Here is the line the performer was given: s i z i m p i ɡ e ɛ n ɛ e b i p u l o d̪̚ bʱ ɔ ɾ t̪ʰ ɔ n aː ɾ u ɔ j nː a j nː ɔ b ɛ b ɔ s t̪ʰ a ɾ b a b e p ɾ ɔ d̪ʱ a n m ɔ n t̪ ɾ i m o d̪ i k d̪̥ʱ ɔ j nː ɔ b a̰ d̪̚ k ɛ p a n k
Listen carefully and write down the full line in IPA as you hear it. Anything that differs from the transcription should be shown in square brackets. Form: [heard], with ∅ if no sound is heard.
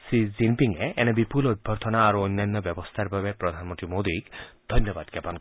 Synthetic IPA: s i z i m p i [ŋ] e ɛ n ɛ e b i p u l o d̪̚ bʱ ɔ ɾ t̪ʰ ɔ n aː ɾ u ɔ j nː a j nː ɔ b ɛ b ɔ s t̪ʰ a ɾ b a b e p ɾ ɔ d̪ʱ a n m ɔ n t̪ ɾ i m o d̪ i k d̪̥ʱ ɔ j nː ɔ b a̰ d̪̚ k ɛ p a n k